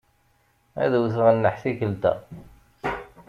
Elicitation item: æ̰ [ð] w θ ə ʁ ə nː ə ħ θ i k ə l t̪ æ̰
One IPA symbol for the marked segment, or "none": ð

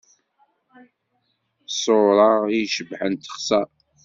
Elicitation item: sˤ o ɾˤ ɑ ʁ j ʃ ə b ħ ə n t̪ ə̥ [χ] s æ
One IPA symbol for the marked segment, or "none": χ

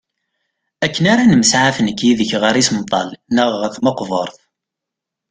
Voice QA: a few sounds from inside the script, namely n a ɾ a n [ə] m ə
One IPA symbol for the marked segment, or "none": ə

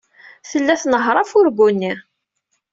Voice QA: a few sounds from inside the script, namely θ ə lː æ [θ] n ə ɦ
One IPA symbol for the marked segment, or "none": θ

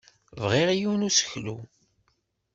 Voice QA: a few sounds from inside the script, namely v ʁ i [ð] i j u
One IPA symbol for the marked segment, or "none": ʁ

